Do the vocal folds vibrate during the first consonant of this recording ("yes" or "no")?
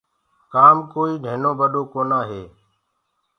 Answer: no